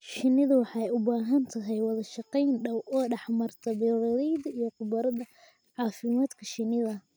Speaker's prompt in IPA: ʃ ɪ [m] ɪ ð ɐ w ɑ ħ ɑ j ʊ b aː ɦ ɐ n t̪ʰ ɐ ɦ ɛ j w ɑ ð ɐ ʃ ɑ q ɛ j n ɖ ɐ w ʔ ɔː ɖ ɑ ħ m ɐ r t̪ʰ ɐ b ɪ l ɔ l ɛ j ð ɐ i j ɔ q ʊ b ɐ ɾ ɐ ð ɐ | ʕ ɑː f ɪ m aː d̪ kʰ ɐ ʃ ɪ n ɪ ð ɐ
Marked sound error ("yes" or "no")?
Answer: yes